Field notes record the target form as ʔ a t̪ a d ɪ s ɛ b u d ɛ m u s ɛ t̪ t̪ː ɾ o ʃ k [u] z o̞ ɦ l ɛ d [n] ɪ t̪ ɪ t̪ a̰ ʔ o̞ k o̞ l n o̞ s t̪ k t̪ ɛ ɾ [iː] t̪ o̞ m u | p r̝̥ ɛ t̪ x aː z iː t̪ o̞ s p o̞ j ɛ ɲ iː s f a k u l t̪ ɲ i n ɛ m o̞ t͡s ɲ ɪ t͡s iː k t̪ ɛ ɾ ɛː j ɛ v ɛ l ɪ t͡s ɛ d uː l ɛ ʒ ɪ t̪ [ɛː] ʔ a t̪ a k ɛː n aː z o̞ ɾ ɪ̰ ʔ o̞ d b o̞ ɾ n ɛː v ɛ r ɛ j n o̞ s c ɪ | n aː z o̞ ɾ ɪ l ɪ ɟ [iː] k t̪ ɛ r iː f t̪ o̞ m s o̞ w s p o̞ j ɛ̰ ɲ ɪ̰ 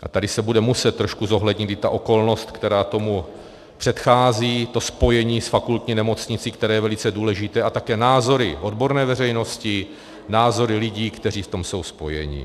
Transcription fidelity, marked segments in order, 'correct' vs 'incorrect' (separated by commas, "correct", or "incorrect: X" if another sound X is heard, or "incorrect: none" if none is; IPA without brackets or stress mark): correct, incorrect: ɲ, incorrect: aː, correct, correct